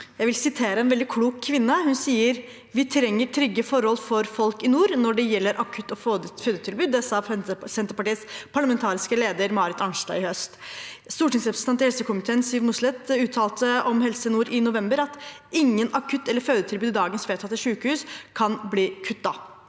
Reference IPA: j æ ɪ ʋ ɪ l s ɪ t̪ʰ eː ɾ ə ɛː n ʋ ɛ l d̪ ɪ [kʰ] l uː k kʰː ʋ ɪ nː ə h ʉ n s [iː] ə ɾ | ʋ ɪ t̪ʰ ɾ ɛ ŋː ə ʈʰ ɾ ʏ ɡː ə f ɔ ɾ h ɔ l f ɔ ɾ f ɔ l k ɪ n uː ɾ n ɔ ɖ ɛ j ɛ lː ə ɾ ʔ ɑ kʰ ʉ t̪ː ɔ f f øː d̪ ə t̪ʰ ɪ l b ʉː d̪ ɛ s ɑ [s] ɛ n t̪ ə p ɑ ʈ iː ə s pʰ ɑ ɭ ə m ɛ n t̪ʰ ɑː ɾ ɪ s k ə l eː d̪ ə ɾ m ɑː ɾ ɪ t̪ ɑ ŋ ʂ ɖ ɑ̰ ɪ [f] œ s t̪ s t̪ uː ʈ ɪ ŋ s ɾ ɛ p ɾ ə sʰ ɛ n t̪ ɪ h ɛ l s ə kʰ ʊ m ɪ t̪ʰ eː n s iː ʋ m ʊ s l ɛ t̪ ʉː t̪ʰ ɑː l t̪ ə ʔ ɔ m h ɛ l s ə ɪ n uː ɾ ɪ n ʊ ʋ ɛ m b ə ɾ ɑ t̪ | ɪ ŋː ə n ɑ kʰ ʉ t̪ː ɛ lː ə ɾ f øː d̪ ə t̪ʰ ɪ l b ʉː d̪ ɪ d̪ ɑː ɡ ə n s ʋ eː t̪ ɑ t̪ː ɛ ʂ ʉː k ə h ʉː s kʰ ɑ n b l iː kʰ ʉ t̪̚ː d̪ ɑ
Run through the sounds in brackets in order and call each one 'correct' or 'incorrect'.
correct, correct, correct, incorrect

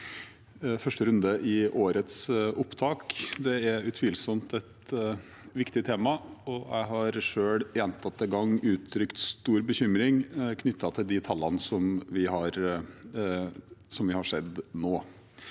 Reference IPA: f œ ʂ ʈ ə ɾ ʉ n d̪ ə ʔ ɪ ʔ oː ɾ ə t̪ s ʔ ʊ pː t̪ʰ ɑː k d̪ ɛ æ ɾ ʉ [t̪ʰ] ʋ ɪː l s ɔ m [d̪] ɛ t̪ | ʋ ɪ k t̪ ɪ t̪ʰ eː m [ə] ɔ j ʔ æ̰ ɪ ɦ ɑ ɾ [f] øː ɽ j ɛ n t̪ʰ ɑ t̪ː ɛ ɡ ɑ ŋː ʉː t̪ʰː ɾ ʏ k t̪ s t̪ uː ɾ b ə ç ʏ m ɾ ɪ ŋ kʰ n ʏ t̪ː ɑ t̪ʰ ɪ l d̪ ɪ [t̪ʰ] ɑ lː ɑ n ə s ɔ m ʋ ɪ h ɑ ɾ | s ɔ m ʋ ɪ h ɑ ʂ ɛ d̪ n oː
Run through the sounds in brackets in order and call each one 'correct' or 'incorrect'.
correct, incorrect, incorrect, incorrect, correct

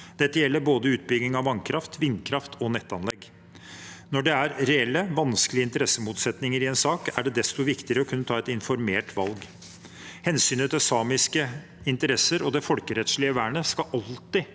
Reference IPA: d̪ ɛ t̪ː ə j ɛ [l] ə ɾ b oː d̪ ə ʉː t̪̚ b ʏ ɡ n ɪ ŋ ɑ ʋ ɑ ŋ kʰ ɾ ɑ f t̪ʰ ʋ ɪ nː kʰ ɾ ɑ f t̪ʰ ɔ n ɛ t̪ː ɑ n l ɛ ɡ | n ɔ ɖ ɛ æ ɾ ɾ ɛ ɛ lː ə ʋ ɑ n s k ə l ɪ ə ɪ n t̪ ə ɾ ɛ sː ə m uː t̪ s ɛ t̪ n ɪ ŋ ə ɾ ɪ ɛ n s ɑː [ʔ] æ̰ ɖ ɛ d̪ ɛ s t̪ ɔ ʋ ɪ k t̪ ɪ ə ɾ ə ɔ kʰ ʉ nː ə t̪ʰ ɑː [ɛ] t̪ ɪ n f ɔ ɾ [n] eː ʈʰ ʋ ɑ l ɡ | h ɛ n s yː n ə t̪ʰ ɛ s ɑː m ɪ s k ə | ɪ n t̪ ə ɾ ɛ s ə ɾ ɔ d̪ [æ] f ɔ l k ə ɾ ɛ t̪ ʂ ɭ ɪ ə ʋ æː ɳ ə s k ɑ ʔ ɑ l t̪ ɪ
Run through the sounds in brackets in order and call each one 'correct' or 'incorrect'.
incorrect, incorrect, correct, incorrect, incorrect

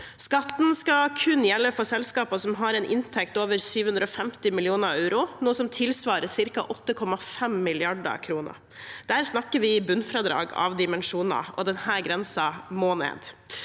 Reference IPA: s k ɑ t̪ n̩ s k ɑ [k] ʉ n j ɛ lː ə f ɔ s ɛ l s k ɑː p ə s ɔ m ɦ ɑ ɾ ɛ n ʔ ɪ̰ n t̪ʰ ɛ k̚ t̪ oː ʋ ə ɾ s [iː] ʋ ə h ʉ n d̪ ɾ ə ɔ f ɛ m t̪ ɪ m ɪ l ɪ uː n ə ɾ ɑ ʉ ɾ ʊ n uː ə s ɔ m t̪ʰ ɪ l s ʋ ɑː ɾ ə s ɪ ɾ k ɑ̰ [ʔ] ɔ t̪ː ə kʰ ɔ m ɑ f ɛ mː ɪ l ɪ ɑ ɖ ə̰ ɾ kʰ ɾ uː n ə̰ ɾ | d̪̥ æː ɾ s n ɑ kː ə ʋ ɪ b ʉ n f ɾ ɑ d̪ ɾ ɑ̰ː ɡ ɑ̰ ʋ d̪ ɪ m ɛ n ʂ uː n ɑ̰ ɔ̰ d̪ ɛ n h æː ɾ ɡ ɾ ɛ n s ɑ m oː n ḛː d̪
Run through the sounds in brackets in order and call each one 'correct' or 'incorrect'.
incorrect, incorrect, correct

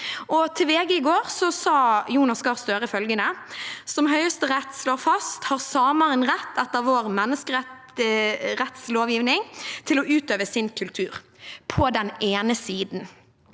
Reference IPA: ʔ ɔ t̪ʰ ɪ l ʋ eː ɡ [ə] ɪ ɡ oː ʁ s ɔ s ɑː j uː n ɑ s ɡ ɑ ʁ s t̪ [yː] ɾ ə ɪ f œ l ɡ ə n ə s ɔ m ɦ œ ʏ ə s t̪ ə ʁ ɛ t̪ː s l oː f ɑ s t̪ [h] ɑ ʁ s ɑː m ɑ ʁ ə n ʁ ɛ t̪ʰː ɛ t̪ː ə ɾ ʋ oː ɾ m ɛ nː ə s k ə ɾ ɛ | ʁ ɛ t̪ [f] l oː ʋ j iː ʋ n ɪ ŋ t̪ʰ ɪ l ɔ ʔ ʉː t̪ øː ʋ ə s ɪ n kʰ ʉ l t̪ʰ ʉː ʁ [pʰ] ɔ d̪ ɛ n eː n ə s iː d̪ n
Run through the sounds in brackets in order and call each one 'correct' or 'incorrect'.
correct, incorrect, correct, incorrect, correct

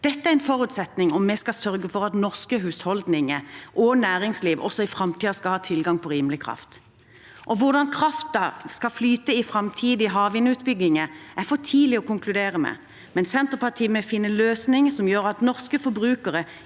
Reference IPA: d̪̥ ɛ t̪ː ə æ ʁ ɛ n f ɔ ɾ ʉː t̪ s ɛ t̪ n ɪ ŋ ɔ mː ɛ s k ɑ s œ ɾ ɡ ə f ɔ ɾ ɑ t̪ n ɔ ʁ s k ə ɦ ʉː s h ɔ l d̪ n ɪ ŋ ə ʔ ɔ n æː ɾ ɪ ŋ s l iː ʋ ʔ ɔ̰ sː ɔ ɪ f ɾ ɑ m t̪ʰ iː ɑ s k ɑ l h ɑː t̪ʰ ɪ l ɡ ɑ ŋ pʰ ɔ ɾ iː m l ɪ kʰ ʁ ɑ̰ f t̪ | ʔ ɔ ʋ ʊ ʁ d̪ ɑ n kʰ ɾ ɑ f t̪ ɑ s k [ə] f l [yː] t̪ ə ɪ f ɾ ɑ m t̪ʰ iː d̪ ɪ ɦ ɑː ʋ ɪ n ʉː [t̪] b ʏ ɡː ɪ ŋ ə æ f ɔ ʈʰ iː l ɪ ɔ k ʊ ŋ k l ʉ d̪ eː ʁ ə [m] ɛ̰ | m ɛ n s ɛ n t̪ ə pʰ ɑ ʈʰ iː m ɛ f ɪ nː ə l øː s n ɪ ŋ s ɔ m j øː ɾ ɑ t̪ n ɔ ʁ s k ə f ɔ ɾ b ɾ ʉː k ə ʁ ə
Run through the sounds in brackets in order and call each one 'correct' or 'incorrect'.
incorrect, correct, correct, correct

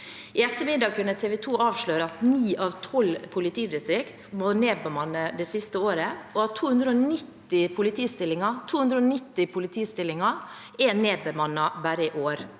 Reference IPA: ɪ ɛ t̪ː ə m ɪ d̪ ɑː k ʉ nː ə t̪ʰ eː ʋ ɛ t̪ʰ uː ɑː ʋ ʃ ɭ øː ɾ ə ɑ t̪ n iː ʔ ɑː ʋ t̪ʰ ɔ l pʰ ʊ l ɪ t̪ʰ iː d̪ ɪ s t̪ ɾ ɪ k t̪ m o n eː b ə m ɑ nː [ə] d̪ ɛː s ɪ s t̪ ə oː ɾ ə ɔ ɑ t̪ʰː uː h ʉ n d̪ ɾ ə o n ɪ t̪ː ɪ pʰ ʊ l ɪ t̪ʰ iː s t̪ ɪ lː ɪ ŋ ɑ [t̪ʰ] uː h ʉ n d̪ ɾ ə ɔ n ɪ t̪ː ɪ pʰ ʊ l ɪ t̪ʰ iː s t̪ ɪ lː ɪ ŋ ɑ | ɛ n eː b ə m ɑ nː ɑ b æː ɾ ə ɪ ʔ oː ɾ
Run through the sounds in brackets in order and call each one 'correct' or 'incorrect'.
correct, correct

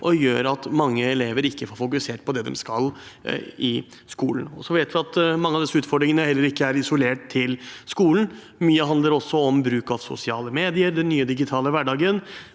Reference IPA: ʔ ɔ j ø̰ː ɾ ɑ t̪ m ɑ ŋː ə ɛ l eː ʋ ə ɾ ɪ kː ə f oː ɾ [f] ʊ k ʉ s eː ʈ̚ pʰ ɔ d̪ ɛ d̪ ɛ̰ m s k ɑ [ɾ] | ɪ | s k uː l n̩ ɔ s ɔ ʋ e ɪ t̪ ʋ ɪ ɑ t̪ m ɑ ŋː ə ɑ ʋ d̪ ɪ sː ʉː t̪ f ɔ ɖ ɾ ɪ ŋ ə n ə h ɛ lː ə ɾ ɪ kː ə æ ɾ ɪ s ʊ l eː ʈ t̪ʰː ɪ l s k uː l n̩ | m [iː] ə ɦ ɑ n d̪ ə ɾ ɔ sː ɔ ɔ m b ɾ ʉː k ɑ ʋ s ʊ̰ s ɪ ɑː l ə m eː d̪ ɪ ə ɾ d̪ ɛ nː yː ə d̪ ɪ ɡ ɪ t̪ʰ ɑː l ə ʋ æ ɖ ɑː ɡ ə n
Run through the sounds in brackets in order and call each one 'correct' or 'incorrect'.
correct, incorrect, incorrect

